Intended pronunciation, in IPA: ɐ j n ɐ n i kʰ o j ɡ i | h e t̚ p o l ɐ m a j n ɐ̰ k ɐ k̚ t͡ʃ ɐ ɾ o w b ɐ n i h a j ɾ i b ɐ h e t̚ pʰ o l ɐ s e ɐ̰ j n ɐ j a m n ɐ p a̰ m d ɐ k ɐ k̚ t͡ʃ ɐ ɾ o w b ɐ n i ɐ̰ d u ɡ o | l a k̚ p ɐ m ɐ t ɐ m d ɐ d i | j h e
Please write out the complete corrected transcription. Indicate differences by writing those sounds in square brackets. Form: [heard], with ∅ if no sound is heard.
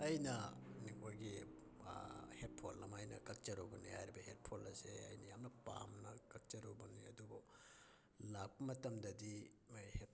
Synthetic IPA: ɐ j n ɐ n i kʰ o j ɡ i | h e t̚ [pʰ] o l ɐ m a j n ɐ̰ k ɐ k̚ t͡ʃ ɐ ɾ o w b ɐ n i h a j ɾ i b ɐ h e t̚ pʰ o l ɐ s e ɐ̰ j n ɐ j a m n ɐ p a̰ m [n] ɐ k ɐ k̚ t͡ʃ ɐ ɾ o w b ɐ n i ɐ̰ d u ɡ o | l a k̚ p ɐ m ɐ t ɐ m d ɐ d i | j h e